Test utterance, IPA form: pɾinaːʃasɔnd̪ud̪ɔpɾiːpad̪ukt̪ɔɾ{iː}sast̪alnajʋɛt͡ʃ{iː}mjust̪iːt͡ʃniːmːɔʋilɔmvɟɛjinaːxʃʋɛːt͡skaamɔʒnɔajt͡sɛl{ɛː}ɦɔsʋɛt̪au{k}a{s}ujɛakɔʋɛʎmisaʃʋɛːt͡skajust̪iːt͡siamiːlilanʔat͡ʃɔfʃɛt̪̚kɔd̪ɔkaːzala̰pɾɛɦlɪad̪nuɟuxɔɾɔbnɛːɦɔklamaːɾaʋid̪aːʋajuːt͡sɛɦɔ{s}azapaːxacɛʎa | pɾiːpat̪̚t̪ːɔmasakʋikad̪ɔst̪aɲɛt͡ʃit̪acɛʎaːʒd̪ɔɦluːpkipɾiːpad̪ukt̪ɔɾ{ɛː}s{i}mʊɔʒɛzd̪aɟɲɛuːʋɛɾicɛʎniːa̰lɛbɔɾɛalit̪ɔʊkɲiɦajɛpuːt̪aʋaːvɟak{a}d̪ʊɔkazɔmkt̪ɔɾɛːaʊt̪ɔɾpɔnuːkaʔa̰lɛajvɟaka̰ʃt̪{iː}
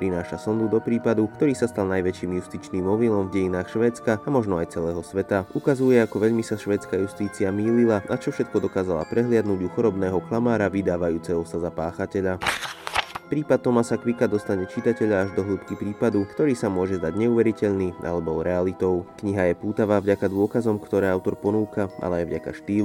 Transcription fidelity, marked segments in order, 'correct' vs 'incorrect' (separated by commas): correct, correct, correct, correct, incorrect, correct, incorrect, incorrect, correct, correct